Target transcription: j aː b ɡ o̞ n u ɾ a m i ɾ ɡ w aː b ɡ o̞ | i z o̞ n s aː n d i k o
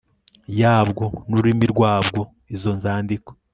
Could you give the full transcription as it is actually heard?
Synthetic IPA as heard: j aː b ɡ o̞ n u ɾ i m i ɾ ɡ w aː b ɡ o̞ | i z o̞ n z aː n d i k o